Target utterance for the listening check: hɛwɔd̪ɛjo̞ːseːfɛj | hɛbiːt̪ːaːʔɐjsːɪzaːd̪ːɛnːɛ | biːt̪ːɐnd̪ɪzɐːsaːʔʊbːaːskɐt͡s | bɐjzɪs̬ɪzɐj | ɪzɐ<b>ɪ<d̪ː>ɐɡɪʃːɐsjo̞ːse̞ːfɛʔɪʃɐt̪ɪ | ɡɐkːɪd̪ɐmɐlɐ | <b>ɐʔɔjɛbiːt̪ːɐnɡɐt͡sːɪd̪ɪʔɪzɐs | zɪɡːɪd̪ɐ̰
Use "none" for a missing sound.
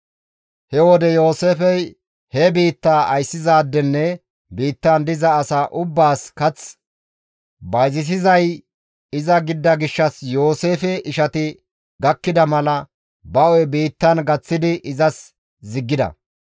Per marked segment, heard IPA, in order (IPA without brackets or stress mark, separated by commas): ɡ, d̪ː, b